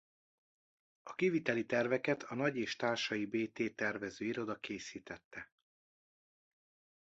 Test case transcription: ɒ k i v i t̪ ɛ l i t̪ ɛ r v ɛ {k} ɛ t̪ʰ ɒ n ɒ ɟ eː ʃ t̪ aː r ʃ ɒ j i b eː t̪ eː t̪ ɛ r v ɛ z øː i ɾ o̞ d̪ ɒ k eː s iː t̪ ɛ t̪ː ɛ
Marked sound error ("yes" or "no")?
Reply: no